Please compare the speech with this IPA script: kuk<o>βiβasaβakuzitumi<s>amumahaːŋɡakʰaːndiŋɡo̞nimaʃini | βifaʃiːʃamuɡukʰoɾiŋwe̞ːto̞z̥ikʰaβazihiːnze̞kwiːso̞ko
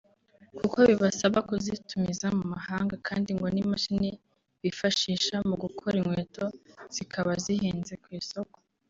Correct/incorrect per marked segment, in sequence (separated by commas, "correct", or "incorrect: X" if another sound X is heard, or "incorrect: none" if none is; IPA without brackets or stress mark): correct, incorrect: z